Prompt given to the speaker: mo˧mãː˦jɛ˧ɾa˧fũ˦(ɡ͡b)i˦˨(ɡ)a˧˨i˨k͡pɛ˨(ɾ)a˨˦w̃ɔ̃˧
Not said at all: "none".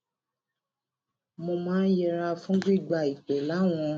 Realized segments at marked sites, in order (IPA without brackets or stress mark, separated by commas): ɡ͡b, ɡ͡b, l